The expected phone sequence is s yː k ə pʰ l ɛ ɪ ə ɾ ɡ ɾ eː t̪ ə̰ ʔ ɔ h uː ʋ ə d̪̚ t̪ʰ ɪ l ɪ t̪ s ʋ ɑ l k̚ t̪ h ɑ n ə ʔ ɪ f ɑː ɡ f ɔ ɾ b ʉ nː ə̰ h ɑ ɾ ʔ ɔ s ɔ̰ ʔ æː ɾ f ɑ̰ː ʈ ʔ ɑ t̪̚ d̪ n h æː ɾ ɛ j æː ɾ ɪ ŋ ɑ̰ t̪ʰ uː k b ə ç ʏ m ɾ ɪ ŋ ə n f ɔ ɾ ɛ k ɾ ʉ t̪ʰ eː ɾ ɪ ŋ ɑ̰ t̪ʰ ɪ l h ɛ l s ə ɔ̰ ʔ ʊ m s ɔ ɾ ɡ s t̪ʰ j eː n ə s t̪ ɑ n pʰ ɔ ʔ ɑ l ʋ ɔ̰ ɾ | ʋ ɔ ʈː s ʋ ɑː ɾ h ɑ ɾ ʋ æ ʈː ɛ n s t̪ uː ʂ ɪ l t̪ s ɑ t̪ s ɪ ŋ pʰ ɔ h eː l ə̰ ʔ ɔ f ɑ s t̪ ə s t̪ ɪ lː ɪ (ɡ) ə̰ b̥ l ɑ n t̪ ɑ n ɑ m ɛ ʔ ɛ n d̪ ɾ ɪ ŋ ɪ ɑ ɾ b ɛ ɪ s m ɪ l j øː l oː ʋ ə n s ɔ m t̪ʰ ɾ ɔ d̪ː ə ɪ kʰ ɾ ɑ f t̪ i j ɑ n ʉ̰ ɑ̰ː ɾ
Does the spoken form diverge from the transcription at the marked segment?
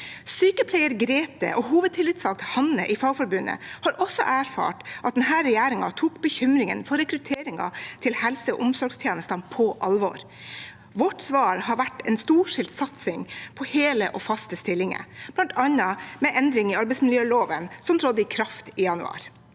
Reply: yes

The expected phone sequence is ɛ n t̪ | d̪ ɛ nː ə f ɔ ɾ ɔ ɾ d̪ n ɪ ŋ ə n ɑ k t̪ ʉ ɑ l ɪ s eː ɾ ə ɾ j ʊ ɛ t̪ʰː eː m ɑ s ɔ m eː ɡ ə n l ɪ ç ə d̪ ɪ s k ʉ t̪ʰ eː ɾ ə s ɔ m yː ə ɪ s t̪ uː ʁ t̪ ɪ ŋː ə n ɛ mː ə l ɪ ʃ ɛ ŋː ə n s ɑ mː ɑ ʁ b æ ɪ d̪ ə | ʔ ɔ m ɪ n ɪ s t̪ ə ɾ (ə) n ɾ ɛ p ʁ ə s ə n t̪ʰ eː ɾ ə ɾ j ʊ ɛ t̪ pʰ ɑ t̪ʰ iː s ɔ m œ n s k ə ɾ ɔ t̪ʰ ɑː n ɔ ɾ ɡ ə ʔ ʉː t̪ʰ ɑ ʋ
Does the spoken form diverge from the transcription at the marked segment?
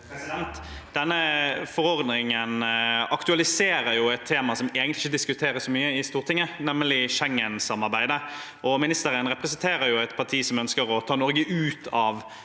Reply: no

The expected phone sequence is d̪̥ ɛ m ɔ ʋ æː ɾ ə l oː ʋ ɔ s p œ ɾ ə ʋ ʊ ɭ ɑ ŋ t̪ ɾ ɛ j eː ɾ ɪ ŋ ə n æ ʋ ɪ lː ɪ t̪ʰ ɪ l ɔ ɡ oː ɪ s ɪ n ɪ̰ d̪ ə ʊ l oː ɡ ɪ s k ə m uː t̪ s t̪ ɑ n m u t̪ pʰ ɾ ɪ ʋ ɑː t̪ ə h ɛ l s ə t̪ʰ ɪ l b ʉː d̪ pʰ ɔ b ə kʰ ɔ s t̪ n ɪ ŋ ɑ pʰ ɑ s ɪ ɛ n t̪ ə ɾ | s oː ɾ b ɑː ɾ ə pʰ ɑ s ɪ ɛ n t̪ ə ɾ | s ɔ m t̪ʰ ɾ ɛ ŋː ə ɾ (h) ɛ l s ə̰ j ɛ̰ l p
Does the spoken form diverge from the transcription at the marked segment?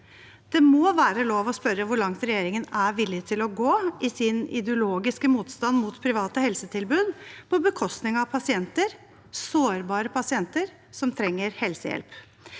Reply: no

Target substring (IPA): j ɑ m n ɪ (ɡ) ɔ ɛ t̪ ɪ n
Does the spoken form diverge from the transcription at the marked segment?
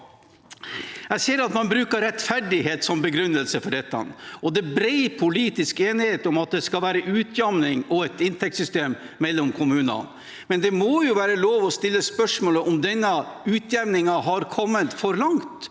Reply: yes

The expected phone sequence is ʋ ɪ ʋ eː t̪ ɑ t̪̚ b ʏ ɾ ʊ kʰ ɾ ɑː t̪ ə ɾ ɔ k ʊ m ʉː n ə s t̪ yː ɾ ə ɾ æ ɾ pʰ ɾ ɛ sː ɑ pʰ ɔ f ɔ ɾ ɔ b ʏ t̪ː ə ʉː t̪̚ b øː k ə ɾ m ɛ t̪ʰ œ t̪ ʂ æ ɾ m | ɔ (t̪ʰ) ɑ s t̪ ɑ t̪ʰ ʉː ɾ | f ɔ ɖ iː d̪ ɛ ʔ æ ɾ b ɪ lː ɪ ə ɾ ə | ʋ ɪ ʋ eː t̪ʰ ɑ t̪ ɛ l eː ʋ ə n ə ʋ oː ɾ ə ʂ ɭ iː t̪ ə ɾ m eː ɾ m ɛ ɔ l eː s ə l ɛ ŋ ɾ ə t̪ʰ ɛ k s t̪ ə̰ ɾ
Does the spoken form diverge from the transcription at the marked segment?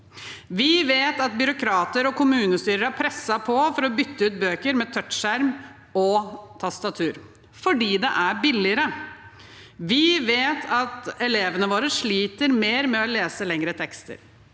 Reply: no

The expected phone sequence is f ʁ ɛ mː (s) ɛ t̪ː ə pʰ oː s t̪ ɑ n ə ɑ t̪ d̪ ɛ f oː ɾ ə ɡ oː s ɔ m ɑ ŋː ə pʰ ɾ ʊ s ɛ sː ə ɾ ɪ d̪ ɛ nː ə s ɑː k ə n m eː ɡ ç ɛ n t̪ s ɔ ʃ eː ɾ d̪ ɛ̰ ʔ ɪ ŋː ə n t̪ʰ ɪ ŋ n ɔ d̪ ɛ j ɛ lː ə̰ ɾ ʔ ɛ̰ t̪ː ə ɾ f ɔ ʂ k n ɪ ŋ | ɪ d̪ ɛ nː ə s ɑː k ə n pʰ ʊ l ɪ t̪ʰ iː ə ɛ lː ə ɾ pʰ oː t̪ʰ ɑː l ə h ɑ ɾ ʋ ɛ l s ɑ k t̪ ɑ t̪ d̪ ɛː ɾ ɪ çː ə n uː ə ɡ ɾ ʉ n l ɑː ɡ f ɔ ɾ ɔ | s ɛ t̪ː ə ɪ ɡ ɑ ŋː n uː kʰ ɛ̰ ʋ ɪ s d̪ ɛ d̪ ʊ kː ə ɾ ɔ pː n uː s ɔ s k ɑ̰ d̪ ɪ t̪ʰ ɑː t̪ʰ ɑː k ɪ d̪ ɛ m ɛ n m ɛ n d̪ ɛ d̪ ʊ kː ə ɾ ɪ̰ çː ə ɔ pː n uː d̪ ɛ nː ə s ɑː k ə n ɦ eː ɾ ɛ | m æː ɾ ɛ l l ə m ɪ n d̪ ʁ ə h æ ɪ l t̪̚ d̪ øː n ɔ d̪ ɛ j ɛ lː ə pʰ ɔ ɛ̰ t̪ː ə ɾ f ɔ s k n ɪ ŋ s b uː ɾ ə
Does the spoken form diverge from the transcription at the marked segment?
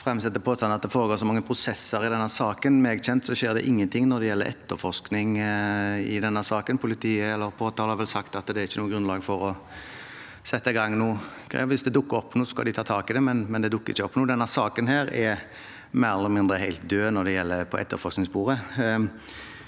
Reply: no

